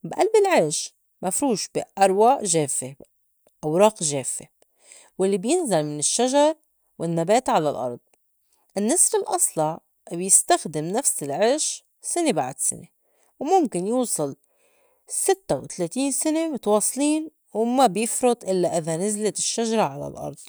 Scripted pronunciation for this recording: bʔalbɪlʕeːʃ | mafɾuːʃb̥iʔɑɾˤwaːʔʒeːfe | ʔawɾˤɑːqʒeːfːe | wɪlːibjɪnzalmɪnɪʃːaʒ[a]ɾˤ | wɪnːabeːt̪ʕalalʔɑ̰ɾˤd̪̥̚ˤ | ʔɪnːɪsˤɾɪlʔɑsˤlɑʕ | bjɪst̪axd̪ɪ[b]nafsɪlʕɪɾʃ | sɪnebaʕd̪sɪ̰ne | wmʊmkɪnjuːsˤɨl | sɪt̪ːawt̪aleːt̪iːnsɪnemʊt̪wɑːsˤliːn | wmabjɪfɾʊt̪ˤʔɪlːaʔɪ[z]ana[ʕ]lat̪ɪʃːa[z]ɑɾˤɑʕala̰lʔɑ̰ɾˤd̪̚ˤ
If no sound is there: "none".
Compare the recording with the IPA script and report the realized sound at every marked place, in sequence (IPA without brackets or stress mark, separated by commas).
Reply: ɑ, m, ð, z, ʒ